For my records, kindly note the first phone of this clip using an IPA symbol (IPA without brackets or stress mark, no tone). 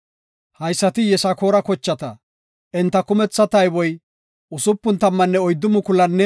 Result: h